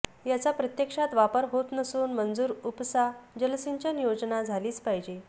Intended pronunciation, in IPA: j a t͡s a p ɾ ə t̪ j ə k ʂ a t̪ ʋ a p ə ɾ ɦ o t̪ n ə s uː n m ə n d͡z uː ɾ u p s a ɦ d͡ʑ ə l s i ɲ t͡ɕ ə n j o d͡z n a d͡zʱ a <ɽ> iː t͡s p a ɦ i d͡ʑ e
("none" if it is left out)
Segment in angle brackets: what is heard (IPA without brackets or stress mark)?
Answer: l